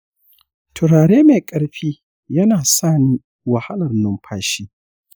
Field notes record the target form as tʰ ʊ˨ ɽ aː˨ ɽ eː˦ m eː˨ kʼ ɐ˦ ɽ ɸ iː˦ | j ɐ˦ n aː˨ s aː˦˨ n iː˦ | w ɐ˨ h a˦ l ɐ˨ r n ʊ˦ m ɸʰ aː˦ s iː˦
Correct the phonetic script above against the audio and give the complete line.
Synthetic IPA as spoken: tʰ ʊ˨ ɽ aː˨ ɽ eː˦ m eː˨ kʼ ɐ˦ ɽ ɸ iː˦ | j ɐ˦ n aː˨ s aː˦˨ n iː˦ | w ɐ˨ h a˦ l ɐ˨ r n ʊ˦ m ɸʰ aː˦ ʃ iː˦